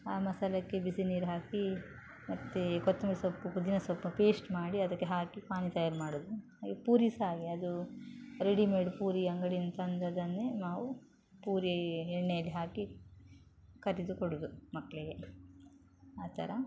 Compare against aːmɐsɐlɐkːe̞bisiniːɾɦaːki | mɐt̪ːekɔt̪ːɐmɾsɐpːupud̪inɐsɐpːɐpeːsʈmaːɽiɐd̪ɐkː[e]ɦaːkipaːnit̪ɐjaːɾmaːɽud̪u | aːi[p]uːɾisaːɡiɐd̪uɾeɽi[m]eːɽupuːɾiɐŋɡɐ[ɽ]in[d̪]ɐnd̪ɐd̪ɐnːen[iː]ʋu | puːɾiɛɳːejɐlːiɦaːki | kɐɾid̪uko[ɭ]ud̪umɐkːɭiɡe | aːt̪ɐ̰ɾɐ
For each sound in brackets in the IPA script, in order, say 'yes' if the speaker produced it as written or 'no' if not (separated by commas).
yes, yes, yes, yes, no, no, no